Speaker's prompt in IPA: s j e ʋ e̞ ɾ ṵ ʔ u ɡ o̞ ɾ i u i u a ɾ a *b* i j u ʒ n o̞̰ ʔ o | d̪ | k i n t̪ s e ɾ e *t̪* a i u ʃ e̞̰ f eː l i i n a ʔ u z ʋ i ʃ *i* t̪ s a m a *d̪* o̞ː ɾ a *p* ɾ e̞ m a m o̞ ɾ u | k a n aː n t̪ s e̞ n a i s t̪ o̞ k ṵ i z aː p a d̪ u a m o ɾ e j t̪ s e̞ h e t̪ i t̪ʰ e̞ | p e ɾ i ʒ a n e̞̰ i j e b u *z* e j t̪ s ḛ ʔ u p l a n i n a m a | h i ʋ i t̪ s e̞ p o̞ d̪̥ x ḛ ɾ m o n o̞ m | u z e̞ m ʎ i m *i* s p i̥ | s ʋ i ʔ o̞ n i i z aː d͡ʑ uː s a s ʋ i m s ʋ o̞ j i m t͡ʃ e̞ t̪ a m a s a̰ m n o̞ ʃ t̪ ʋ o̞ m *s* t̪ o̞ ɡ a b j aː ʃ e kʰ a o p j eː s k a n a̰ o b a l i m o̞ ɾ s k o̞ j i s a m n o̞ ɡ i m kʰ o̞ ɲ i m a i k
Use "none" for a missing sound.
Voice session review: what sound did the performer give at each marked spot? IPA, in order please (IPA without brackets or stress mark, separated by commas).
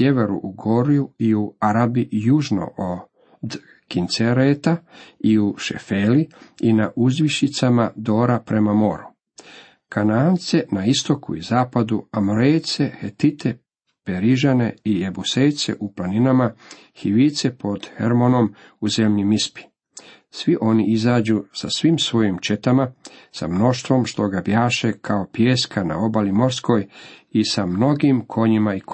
b, t̪, i, d̪, p, s, i, ʃ